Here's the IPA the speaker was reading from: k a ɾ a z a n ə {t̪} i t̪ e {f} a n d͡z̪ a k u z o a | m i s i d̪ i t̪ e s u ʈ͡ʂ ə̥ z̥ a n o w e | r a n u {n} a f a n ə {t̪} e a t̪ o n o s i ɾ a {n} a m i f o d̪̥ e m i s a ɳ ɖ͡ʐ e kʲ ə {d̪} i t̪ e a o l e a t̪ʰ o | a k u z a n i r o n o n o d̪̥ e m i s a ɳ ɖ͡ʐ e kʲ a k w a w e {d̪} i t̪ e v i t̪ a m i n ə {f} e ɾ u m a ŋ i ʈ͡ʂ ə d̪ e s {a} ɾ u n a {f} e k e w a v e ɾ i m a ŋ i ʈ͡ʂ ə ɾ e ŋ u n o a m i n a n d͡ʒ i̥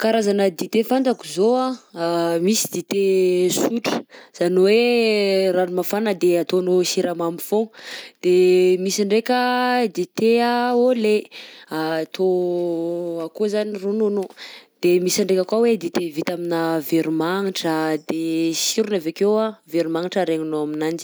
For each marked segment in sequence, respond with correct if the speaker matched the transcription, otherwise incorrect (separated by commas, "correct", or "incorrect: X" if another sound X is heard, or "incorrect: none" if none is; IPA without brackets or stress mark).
incorrect: d̪, correct, incorrect: m, incorrect: d̪, incorrect: m, correct, correct, incorrect: v, incorrect: i, incorrect: v